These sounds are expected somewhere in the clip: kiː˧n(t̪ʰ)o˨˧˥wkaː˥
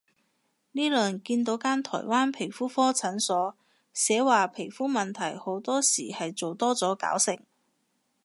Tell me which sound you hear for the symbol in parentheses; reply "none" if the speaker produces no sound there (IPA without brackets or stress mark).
t̪